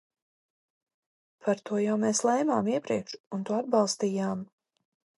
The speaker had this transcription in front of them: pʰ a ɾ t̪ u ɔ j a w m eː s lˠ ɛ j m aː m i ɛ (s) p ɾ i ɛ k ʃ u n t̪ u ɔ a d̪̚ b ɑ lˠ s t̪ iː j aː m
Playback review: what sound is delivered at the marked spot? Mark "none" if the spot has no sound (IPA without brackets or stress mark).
none